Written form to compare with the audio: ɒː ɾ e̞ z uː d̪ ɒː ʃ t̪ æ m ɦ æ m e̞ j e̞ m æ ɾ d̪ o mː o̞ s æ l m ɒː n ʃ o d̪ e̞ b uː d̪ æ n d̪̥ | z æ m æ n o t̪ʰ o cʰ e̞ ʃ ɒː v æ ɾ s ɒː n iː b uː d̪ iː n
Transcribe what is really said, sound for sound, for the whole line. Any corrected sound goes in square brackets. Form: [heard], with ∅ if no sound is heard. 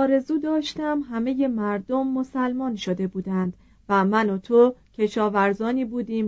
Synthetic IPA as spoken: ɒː ɾ e̞ z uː d̪ ɒː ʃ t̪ æ m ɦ æ m e̞ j e̞ m æ ɾ d̪ o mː o̞ s æ l m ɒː n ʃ o d̪ e̞ b uː d̪ æ n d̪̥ | [v] æ m æ n o t̪ʰ o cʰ e̞ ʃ ɒː v æ ɾ [z] ɒː n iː b uː d̪ iː [m]